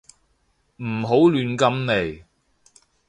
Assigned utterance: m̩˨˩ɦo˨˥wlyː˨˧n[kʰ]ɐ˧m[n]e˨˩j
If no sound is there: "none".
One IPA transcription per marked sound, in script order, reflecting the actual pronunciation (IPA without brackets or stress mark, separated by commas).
k, n